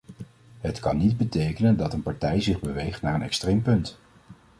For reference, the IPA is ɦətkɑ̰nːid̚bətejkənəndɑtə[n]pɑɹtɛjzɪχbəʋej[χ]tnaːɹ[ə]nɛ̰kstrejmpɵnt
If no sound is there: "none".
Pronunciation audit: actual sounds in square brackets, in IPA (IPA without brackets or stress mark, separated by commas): n, χ, ə